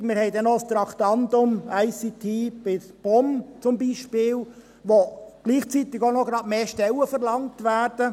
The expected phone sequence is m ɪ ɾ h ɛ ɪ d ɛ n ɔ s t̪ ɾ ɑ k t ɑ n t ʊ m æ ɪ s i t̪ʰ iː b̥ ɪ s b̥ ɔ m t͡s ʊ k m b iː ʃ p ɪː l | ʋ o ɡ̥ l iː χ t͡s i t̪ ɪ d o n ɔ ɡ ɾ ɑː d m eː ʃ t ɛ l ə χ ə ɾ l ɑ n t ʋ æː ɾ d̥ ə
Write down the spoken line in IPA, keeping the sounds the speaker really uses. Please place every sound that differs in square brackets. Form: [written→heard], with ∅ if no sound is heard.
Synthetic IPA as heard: m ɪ ɾ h ɛ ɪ d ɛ n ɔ s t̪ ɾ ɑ k t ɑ n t ʊ m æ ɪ s i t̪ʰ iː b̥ ɪ s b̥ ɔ m t͡s ʊ [k→∅] m b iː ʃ p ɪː l | ʋ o ɡ̥ l iː χ t͡s i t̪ ɪ [d→ɡ] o n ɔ ɡ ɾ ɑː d m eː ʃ t ɛ l ə [χ→f] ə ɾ l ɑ [n→ŋ] t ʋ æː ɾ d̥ ə